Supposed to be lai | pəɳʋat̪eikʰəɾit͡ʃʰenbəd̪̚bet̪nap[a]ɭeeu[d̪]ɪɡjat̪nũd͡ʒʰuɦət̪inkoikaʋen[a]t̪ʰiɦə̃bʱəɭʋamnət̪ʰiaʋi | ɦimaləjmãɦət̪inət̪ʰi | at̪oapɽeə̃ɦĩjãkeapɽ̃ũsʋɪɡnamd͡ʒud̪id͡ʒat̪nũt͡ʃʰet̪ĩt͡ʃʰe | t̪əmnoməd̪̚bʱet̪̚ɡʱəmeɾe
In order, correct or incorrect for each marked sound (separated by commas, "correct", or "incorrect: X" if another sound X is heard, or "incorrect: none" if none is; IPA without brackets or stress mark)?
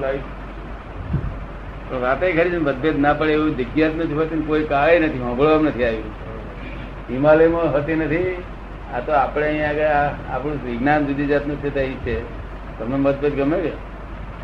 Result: incorrect: ə, correct, incorrect: ə